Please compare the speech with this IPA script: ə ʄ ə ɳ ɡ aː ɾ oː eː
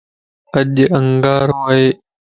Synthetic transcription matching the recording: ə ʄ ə ŋ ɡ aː ɾ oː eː